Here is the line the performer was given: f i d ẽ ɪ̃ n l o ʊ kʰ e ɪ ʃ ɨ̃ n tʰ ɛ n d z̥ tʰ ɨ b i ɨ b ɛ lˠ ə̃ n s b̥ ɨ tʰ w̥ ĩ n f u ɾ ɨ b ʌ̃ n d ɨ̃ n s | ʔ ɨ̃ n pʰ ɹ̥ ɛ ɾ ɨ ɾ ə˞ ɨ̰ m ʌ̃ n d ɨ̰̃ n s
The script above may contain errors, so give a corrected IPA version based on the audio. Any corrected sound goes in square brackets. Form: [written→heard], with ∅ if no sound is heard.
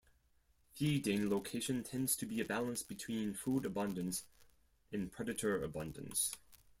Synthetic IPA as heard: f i d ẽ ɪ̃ n l o ʊ kʰ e ɪ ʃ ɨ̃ n tʰ [ɛ→ɛ̃] n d z̥ tʰ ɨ b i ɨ b [ɛ→æ] lˠ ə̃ n s b̥ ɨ tʰ w̥ ĩ n f u ɾ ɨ b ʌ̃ n d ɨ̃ n s | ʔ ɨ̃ n pʰ ɹ̥ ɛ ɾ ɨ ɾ ə˞ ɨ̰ [m→b] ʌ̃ n d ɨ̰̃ n s

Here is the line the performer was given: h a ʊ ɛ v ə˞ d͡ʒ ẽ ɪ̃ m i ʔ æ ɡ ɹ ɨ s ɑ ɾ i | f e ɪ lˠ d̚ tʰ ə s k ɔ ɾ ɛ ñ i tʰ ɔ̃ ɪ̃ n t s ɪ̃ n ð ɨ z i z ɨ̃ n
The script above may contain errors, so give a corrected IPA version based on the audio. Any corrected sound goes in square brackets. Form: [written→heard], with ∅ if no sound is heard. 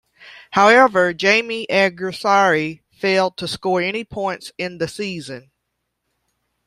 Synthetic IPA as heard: h a ʊ ɛ v ə˞ d͡ʒ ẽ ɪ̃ m i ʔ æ ɡ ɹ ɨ s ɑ [ɾ→ɹ] i | f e ɪ lˠ d̚ tʰ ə s k ɔ [ɾ→ɹ] ɛ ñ i [tʰ→pʰ] ɔ̃ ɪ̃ n t s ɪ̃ n ð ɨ [z→s] i z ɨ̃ n

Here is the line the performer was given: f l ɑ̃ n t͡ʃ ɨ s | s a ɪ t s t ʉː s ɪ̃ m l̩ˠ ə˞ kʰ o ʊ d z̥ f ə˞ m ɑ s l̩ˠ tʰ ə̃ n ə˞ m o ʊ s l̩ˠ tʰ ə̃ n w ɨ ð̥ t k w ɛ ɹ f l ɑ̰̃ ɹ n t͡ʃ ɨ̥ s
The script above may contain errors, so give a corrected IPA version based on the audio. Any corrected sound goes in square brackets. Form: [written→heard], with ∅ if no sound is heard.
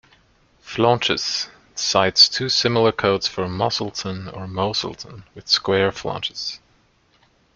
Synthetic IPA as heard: f l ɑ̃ n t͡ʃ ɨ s | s a ɪ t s [t→tʰ] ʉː s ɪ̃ m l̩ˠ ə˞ kʰ o ʊ d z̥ f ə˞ m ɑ s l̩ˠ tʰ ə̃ n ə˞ m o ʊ s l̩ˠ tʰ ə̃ n w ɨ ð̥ [t→s] k w ɛ ɹ f l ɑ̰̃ [ɹ→∅] n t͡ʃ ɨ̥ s

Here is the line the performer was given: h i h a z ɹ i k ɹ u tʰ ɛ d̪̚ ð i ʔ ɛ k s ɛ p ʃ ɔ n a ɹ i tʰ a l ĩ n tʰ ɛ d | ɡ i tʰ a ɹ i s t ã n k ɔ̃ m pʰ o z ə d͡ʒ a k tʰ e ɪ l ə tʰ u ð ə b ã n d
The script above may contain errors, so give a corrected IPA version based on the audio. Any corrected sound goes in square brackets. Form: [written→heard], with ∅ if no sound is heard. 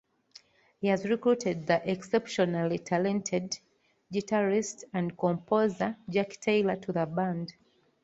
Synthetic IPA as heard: h i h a z ɹ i k ɹ u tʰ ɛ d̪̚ ð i ʔ ɛ k s ɛ p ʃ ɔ n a [ɹ→l] i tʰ a l [ĩ→ɛ̃] n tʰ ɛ d | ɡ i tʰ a ɹ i s t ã n k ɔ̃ m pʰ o z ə d͡ʒ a k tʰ e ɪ l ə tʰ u ð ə b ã n d

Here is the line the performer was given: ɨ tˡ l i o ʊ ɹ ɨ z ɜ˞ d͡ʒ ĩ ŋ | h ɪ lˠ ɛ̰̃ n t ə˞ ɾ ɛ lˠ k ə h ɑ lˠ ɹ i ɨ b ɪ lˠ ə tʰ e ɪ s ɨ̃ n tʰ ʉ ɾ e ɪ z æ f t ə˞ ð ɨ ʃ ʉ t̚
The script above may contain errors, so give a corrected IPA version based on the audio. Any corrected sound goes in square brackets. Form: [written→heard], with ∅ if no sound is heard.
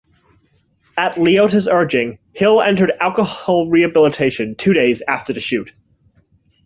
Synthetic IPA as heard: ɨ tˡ l i o ʊ [ɹ→ɾ] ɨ z ɜ˞ d͡ʒ [ĩ→ɪ̃] ŋ | h ɪ lˠ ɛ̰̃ n t ə˞ ɾ [ɛ→æ] lˠ k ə h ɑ lˠ ɹ i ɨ b ɪ lˠ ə tʰ e ɪ [s→ʃ] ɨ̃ n tʰ ʉ ɾ e ɪ z æ f t ə˞ ð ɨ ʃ ʉ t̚

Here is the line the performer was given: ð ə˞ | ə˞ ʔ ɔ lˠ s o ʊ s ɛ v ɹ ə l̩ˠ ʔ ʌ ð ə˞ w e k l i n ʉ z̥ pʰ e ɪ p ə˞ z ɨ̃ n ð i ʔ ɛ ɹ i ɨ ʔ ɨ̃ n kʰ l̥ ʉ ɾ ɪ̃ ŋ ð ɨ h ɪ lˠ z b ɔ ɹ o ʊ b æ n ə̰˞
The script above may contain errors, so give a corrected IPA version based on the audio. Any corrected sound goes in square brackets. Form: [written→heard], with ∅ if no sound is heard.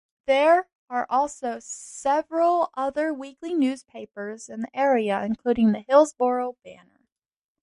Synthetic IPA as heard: ð ə˞ | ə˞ ʔ ɔ lˠ s o ʊ s ɛ v ɹ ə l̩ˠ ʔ ʌ ð ə˞ w [e→i] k l i n ʉ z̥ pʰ e ɪ p ə˞ z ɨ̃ n ð i ʔ ɛ ɹ i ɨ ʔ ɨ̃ n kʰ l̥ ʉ ɾ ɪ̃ ŋ ð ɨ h ɪ lˠ z b ɔ ɹ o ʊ b æ n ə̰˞

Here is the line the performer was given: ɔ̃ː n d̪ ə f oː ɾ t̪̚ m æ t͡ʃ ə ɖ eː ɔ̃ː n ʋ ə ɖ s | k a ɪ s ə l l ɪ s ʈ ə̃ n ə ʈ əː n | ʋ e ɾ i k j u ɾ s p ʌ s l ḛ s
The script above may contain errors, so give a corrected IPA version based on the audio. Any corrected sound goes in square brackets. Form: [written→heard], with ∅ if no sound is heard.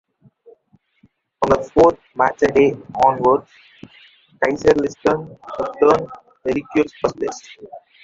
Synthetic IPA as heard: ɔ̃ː n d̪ ə f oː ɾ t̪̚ m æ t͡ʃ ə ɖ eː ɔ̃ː n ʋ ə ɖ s | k a ɪ s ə [l→ɾ] l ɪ s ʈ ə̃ n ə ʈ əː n | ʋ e ɾ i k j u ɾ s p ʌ s l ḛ s

